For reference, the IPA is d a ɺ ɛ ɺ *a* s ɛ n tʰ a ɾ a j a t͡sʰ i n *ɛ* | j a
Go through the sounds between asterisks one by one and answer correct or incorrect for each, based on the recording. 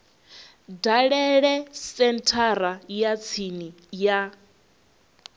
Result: incorrect, incorrect

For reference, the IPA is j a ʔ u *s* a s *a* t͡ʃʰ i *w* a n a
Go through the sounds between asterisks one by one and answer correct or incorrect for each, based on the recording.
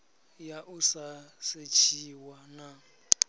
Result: correct, incorrect, correct

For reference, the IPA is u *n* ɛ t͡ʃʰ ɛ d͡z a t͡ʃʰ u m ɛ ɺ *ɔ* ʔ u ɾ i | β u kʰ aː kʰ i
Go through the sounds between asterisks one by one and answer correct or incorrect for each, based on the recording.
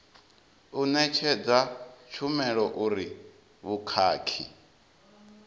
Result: correct, correct

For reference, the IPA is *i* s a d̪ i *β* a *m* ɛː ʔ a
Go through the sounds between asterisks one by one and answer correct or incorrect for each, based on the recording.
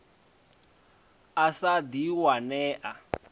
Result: incorrect, incorrect, incorrect

